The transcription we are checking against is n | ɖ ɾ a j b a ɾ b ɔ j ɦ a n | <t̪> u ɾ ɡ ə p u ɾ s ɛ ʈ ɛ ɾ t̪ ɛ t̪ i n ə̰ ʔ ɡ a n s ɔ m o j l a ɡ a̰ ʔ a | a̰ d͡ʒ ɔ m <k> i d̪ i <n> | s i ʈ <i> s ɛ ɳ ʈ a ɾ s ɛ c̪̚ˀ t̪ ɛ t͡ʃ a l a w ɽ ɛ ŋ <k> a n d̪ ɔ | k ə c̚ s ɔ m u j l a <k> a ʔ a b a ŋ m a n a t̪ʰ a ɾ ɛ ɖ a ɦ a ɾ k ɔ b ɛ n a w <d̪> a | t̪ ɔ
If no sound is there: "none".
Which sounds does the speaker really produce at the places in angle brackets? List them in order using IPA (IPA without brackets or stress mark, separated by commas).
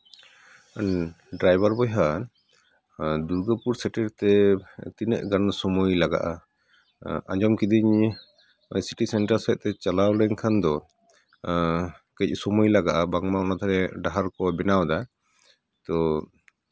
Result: d̪, k, ɲ, i, kʰ, ɡ, d̪